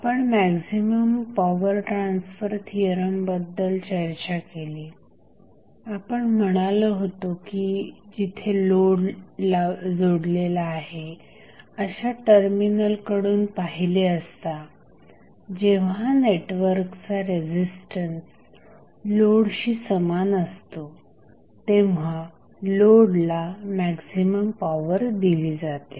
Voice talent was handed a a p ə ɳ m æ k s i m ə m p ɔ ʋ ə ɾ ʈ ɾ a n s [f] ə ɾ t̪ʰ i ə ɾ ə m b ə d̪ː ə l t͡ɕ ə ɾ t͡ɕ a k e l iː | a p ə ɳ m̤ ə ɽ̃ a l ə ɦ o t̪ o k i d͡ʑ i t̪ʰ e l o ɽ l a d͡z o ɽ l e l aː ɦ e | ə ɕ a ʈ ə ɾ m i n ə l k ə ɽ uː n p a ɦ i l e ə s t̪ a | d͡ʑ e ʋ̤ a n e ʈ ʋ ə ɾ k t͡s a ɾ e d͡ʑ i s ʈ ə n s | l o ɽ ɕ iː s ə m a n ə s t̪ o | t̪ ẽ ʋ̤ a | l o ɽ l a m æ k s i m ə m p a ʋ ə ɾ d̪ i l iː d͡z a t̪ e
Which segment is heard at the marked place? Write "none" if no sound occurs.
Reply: f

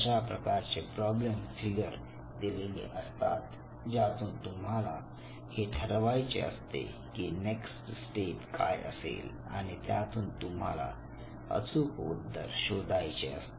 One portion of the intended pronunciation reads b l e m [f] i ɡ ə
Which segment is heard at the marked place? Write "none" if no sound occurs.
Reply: f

